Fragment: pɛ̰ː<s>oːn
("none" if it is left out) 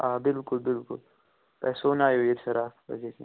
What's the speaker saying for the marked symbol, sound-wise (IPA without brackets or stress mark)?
s